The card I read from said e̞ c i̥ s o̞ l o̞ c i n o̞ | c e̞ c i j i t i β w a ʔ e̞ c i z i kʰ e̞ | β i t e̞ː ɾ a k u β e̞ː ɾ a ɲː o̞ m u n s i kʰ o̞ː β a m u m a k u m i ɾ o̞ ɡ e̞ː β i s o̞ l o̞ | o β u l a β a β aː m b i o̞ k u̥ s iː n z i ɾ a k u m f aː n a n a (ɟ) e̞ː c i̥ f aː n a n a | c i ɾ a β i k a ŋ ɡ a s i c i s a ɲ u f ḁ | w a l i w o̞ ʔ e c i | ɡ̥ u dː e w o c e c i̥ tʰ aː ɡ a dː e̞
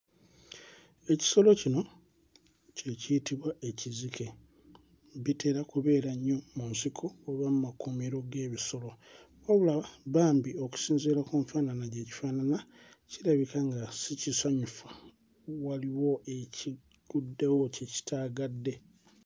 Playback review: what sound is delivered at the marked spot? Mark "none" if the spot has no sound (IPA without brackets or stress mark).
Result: ɟ